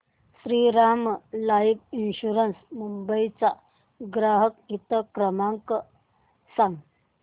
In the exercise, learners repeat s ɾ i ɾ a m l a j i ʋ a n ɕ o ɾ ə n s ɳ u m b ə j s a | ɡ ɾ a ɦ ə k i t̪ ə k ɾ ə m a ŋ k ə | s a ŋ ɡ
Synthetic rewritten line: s ɾ i ɾ a m l a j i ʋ i n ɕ u ɾ ə n s m u m b ə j t͡s a | ɡ ɾ a ɦ ə k i t̪ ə k ɾ ə m a ŋ k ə | s a ŋ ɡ